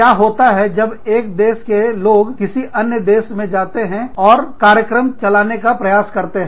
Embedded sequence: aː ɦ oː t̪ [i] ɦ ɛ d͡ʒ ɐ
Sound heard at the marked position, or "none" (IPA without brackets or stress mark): a